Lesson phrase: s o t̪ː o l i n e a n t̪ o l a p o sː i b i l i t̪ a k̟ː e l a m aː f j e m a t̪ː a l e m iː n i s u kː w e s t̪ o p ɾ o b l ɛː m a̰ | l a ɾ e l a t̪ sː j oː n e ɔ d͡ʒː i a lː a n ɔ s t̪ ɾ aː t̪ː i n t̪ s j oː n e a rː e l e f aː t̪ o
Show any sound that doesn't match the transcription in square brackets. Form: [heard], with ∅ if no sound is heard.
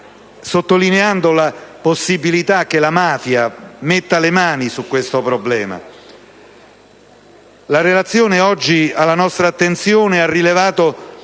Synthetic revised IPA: s o t̪ː o l i n e a n [d̪] o l a p o sː i b i l i t̪ a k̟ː e l a m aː f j [a] m [e] t̪ː a l e m [aː] n i s u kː w e s t̪ o p ɾ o b l ɛː m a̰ | l a ɾ e l a t̪ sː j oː n e ɔ d͡ʒː i a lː a n ɔ s t̪ ɾ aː t̪ː [e] n t̪ s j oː n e a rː [i] l e [v] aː t̪ o